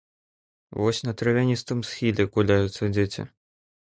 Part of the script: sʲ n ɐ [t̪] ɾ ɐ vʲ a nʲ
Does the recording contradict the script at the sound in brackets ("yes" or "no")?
no